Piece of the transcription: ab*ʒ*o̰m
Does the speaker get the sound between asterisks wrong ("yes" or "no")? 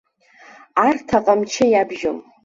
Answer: no